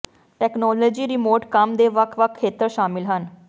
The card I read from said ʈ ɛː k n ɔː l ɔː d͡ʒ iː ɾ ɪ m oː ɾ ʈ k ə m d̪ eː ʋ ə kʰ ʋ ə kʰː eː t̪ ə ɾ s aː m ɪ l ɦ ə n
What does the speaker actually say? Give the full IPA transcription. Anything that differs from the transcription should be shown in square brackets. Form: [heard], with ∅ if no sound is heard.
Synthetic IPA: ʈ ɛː k n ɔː l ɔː d͡ʒ iː ɾ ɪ m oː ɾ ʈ k ə m d̪ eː ʋ ə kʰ ʋ ə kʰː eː t̪ ə ɾ [ʃ] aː m ɪ l ɦ ə n

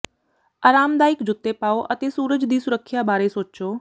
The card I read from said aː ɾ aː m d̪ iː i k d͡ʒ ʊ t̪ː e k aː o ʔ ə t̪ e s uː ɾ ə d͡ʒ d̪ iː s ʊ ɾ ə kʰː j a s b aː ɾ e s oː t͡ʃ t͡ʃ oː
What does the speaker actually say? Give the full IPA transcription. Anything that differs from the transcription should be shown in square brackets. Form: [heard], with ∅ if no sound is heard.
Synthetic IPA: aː ɾ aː m d̪ [aː] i k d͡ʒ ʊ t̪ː e [p] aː o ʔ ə t̪ e s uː ɾ ə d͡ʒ d̪ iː s ʊ ɾ ə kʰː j a [∅] b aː ɾ e s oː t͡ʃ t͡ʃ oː

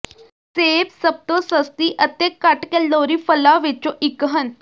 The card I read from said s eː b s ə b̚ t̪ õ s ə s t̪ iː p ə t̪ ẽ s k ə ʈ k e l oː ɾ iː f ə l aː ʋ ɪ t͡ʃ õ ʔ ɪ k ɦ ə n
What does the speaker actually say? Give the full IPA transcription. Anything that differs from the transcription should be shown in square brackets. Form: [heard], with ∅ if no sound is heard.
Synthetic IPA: s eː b s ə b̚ t̪ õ s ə s t̪ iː [ʔ] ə t̪ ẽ [∅] k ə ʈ k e l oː ɾ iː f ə l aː ʋ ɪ t͡ʃ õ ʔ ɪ k ɦ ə n

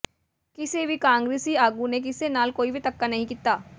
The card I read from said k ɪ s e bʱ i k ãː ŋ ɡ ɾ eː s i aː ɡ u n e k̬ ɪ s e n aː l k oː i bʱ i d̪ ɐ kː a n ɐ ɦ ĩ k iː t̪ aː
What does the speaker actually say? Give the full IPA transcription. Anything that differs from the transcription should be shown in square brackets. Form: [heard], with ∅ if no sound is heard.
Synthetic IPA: k ɪ s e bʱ i k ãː ŋ ɡ ɾ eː s i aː ɡ u n e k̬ ɪ s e n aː l k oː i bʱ i [t̪] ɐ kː a n ɐ ɦ ĩ k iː t̪ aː

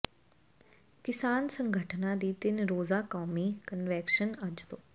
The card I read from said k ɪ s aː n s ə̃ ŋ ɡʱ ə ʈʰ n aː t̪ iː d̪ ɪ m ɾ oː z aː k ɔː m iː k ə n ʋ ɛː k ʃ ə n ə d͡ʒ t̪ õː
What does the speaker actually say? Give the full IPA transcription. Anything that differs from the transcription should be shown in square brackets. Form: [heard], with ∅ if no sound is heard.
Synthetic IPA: k ɪ s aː n s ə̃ ŋ ɡʱ ə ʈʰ n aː [d̪] iː [t̪] ɪ [n] ɾ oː z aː k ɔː m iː k ə n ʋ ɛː k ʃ ə n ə d͡ʒ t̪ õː

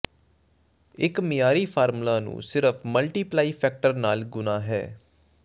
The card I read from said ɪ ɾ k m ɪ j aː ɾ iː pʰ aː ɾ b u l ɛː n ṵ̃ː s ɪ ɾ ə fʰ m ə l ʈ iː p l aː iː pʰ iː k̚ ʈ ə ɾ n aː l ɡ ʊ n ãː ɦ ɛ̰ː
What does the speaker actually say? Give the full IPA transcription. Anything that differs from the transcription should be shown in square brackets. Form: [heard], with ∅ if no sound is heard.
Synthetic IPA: ɪ [∅] k m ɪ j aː ɾ iː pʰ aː ɾ [m] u l [aː] n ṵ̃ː s ɪ ɾ ə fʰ m ə l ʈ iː p l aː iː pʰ [ɛː] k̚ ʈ ə ɾ n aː l ɡ ʊ n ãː ɦ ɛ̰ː

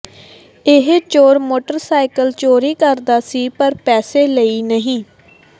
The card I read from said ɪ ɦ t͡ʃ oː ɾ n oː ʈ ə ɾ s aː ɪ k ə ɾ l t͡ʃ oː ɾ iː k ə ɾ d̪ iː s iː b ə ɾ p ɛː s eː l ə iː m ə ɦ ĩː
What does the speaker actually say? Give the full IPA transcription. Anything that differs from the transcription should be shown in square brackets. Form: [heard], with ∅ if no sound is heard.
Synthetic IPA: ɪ ɦ t͡ʃ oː ɾ [m] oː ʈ ə ɾ s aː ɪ k ə [∅] l t͡ʃ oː ɾ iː k ə ɾ d̪ [aː] s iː [p] ə ɾ p ɛː s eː l ə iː [n] ə ɦ ĩː

